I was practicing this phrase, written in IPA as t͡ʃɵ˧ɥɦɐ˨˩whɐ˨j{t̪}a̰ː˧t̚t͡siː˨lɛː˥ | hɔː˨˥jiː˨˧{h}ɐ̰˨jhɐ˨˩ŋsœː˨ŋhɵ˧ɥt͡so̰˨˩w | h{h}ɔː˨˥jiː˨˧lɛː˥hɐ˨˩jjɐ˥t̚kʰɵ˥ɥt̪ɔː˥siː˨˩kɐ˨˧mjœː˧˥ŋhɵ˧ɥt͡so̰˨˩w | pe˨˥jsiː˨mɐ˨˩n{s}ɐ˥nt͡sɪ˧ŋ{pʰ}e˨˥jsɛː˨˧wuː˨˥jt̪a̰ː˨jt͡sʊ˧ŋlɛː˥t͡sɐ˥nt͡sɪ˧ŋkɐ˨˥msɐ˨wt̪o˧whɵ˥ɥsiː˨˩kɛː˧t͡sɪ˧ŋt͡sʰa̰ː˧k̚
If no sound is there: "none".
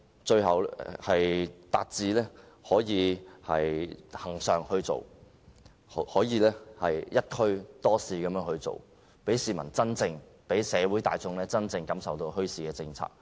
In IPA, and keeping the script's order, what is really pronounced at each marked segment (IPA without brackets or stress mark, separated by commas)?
t̪, h, h, t͡s, p